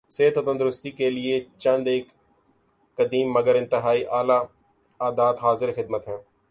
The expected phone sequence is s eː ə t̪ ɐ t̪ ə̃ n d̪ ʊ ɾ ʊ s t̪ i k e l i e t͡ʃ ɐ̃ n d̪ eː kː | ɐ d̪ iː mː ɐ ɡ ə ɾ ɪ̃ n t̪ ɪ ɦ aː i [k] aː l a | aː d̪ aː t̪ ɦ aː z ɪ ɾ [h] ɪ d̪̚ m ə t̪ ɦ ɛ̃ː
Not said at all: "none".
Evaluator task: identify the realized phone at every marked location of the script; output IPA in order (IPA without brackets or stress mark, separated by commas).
ʔ, x